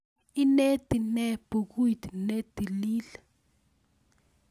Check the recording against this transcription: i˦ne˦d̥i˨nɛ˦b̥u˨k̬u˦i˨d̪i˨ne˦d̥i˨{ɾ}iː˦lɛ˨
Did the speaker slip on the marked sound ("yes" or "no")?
yes